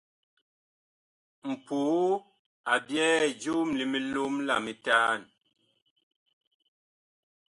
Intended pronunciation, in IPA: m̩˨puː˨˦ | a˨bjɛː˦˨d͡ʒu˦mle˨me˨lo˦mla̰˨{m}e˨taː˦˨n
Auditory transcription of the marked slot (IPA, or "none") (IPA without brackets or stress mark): m